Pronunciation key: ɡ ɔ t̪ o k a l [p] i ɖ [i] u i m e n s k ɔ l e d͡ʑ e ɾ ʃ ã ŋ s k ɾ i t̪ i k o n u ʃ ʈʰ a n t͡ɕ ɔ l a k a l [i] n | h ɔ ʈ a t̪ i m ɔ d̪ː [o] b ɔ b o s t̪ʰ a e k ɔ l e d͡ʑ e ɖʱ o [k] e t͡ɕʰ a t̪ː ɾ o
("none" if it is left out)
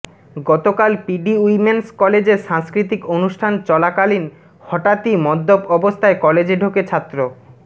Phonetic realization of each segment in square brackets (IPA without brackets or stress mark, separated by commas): p, i, i, o, k